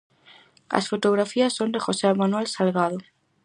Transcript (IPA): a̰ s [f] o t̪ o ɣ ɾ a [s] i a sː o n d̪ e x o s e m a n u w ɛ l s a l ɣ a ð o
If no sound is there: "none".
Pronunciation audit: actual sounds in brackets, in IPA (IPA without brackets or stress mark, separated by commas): f, f